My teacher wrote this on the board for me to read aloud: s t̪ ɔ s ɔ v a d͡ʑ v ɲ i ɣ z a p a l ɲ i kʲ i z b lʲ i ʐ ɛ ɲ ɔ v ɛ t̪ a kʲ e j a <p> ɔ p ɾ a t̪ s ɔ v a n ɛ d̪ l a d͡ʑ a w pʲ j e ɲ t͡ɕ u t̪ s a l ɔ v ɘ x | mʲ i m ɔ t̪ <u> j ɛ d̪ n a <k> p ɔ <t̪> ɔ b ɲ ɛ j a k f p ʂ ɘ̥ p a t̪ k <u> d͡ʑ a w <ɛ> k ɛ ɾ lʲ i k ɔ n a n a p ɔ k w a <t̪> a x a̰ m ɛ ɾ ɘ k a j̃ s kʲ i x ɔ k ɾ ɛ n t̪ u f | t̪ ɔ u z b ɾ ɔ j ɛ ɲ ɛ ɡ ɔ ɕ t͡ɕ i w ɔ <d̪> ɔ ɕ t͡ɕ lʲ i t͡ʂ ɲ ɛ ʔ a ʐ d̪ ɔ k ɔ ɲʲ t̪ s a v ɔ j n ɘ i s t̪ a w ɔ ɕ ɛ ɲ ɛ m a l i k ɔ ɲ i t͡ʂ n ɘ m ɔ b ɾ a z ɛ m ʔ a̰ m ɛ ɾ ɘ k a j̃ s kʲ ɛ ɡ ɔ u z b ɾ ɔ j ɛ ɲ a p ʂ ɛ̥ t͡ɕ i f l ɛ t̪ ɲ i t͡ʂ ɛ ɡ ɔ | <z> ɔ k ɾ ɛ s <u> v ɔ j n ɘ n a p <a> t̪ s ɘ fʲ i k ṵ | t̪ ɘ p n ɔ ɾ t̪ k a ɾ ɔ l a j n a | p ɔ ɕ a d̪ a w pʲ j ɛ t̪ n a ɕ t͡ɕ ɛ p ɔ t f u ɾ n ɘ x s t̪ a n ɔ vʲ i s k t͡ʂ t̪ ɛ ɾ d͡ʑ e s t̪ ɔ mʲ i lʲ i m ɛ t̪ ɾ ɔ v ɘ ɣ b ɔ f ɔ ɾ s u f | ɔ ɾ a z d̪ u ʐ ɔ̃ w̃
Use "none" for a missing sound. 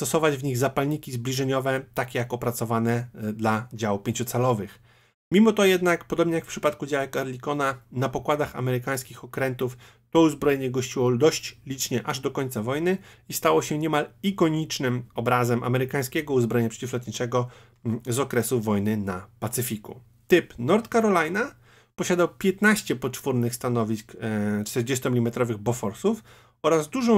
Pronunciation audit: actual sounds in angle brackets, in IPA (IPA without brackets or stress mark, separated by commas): k, ɔ, k, d̪, u, ɛ, d̪, d̪, z, u, a